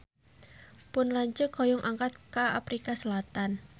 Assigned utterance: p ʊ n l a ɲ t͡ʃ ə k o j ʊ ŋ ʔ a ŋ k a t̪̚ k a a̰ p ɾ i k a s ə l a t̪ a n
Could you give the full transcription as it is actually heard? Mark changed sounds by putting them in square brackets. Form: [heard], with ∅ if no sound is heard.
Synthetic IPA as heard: p ʊ n l a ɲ t͡ʃ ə k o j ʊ ŋ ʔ a ŋ k a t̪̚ k a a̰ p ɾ i k a s ə l a t̪ a n